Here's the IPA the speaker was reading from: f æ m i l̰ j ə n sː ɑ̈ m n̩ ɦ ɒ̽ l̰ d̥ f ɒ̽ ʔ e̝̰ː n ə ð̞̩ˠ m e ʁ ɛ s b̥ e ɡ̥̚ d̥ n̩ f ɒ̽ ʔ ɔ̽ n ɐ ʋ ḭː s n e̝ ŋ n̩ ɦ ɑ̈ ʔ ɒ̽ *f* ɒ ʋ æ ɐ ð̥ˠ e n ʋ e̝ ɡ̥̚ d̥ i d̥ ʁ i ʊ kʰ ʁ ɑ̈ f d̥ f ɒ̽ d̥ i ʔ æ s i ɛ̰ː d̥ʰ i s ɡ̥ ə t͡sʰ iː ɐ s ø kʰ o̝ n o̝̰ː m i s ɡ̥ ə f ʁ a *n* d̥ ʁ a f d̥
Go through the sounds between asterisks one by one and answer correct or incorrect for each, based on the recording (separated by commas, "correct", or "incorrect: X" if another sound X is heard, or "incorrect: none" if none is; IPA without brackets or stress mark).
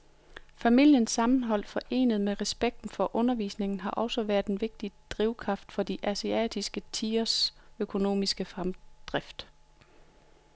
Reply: incorrect: s, incorrect: m